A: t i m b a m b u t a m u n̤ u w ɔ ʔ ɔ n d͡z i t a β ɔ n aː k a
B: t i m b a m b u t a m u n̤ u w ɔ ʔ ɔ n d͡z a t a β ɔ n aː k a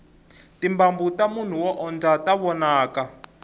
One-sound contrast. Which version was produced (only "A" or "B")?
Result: B